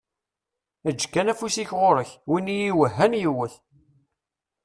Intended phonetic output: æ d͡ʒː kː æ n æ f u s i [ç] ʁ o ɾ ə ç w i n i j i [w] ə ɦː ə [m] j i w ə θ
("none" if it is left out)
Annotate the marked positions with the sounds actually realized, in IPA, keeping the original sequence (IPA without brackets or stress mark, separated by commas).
ç, w, n